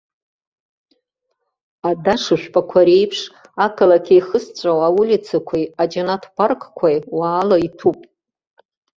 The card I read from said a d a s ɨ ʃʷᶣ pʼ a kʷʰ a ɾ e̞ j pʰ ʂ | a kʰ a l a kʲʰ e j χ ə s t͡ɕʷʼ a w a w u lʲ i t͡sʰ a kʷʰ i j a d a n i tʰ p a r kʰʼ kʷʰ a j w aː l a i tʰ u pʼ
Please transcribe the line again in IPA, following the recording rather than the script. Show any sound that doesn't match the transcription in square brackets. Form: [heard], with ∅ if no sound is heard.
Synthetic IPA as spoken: a d a [ʂ] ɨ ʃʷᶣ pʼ a kʷʰ a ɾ e̞ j pʰ ʂ | a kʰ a l a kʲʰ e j χ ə s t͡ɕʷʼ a w a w u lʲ i t͡sʰ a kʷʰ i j a [d͡ʒ] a n [a] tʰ p a r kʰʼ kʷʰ a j w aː l a i tʰ u pʼ